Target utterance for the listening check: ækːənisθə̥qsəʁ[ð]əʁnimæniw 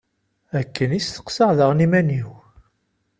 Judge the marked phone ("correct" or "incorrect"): correct